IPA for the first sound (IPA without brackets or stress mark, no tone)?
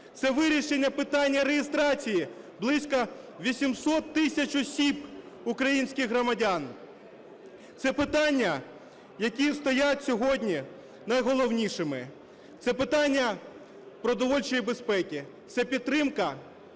t̪